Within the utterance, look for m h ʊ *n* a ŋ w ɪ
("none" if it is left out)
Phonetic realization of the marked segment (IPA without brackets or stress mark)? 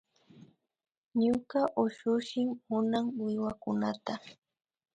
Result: n